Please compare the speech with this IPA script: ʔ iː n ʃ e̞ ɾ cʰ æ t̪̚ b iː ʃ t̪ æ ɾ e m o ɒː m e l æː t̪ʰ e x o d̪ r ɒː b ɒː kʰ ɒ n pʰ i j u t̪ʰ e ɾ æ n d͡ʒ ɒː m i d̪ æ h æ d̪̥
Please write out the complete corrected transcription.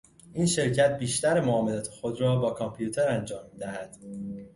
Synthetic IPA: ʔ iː n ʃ e̞ ɾ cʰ æ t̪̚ b iː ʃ t̪ æ ɾ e m o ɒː m e l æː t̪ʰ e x o d̪ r ɒː b ɒː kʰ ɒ m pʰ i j u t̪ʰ e ɾ æ n d͡ʒ ɒː m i d̪ æ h æ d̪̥